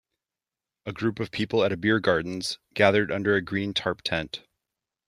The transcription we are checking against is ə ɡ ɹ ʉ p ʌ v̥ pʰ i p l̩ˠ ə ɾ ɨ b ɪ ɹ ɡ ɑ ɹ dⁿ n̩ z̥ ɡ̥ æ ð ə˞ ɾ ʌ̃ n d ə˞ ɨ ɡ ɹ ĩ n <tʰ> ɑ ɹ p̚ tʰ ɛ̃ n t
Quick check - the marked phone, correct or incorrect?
correct